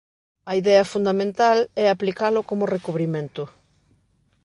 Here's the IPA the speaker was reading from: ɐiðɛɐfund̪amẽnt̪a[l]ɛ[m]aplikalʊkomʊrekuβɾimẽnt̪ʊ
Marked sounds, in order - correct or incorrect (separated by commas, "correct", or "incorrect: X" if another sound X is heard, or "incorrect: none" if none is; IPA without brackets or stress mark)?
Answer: correct, incorrect: none